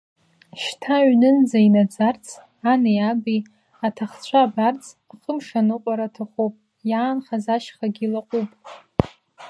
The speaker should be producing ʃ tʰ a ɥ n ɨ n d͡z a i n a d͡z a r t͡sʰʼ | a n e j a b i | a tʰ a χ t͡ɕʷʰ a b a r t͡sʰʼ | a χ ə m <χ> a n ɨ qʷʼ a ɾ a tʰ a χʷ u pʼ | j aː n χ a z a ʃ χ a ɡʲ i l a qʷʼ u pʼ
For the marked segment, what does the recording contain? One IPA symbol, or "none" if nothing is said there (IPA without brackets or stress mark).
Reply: ʂ